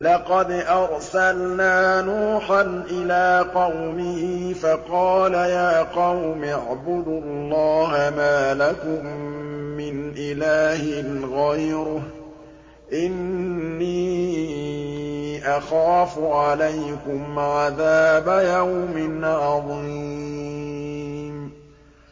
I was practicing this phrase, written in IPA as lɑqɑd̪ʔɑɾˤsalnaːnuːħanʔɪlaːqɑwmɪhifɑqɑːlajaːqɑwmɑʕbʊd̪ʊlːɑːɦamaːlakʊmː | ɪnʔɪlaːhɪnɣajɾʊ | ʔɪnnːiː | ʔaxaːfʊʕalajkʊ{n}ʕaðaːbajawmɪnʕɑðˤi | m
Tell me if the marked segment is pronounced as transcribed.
no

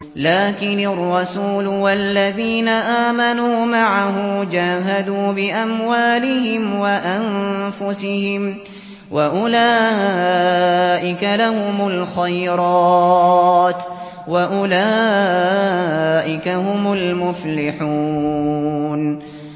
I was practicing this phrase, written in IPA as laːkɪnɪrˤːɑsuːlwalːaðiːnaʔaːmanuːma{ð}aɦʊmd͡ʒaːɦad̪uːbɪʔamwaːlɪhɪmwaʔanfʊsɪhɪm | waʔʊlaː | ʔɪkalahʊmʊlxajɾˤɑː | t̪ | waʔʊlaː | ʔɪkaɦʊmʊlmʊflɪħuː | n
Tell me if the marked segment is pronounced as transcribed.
no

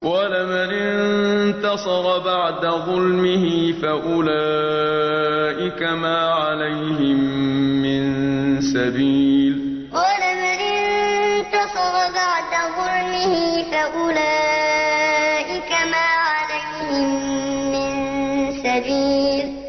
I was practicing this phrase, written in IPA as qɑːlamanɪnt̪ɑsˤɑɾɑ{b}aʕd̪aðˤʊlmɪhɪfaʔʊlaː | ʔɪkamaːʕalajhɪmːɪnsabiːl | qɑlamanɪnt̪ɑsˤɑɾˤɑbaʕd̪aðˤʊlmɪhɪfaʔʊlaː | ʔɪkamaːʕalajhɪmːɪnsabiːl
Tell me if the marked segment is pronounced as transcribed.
yes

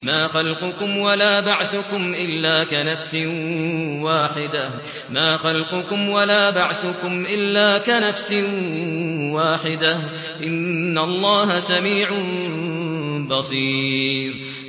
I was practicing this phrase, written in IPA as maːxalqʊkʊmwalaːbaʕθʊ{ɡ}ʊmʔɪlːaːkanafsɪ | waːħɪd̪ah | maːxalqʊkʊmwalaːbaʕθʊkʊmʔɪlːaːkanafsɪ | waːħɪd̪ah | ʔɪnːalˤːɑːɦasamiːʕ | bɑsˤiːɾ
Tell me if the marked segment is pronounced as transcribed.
no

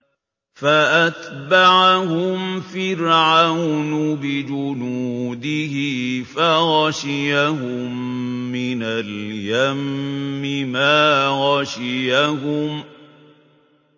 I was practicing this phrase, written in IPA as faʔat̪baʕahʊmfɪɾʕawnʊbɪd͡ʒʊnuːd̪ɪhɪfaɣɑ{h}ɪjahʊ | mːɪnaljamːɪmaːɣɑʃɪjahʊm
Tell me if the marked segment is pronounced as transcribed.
no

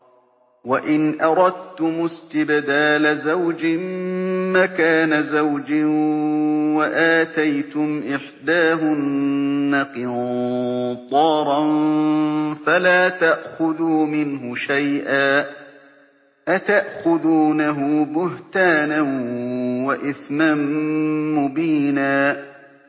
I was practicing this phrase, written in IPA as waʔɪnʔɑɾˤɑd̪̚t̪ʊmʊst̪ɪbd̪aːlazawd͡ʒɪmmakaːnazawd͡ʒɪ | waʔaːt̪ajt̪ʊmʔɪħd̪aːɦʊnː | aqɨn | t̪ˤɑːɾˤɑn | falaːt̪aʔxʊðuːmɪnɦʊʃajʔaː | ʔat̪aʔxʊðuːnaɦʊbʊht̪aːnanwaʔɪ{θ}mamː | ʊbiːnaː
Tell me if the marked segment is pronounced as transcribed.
yes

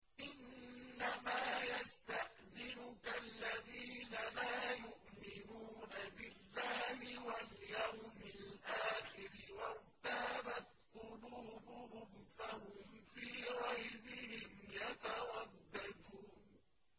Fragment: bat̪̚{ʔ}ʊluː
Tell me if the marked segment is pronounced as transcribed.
no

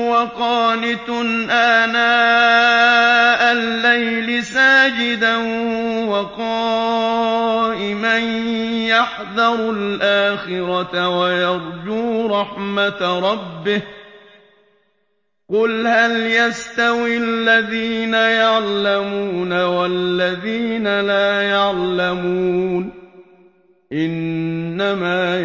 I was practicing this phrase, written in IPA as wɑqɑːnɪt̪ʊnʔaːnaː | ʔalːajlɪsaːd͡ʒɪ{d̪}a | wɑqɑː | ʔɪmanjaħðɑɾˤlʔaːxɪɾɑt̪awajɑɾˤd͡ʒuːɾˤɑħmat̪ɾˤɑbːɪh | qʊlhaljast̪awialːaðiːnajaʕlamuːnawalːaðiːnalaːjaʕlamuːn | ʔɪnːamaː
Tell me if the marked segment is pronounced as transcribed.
yes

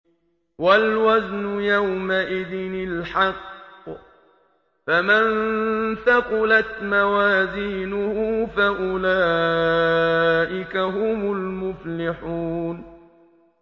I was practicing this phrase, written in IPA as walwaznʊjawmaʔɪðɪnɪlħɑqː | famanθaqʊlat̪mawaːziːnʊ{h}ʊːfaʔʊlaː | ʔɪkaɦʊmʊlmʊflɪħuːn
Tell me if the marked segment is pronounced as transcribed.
yes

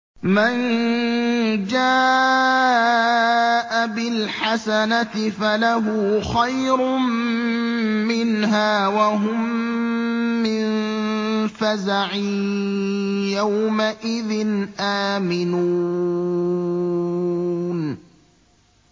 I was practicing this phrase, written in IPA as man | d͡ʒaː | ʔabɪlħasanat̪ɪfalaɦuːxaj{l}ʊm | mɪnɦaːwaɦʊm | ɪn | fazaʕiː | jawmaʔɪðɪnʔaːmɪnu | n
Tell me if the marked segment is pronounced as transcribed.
no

